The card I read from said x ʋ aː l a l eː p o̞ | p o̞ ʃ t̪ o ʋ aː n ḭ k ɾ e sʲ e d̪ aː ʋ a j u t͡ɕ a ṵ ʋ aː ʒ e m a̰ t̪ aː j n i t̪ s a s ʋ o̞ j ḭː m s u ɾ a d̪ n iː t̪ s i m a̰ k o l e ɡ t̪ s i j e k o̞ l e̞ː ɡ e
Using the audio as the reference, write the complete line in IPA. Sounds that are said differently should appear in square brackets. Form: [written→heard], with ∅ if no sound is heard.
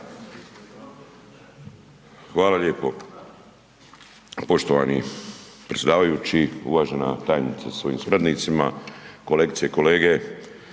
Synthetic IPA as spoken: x ʋ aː l a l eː p o̞ | p o̞ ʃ t̪ o ʋ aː n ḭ [k→p] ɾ e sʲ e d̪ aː ʋ a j u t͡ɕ [a→i] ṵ ʋ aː ʒ e [m→n] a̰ t̪ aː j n i t̪ s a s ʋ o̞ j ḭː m s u ɾ a d̪ n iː t̪ s i m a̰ k o l e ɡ t̪ s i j e k o̞ l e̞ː ɡ e